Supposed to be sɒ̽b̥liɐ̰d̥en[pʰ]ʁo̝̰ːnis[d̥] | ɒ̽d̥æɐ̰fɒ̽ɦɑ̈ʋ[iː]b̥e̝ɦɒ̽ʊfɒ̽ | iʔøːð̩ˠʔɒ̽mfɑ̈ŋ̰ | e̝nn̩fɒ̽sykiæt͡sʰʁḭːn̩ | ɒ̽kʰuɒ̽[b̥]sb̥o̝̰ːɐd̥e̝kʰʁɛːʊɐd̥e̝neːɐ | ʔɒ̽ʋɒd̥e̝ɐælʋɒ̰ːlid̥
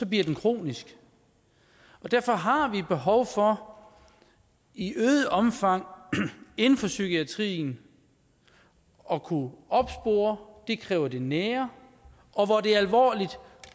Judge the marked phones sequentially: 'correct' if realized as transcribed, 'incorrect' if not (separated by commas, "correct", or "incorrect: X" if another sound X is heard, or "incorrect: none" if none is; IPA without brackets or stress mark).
incorrect: kʰ, incorrect: ɡ̥, incorrect: i, correct